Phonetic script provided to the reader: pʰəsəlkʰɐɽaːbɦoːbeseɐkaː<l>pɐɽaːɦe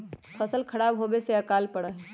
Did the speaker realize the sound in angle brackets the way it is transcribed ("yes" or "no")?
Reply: yes